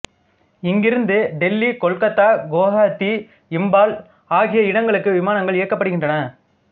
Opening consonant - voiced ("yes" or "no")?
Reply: yes